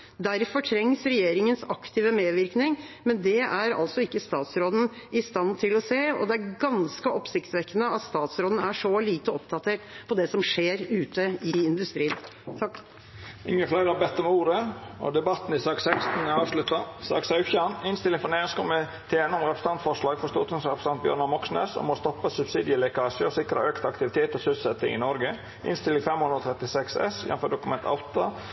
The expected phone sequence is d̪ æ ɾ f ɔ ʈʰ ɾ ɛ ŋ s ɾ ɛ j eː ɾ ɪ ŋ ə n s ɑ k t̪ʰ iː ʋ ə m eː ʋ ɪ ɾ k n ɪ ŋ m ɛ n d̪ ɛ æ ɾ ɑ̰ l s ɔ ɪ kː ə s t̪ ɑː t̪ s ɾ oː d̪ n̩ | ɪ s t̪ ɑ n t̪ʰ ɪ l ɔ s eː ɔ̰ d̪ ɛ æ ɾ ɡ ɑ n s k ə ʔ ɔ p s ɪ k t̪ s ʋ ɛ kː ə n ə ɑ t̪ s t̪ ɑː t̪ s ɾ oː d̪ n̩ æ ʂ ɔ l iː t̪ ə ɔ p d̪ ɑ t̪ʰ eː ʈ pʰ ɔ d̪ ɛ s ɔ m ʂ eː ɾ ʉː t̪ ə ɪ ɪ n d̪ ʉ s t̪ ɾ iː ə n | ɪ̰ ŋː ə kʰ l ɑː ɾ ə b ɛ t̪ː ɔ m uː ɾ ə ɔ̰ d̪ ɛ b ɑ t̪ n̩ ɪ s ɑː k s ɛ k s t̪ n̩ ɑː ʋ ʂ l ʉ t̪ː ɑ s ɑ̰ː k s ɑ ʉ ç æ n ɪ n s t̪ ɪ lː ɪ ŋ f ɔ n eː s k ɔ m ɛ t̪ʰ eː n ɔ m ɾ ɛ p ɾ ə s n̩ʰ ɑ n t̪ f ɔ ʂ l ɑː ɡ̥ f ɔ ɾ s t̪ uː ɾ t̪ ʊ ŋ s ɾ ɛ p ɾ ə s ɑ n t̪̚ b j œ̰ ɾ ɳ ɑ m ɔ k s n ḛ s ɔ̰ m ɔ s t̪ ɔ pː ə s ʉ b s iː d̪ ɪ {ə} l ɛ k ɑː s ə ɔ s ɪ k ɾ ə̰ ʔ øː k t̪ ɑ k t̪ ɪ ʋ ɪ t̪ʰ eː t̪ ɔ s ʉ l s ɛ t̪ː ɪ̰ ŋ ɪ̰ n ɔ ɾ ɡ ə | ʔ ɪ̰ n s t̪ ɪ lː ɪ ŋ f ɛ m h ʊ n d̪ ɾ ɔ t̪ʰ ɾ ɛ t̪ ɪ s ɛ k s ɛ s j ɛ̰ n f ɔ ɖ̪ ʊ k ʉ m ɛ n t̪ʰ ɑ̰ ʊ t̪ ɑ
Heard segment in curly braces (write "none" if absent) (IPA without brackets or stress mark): ə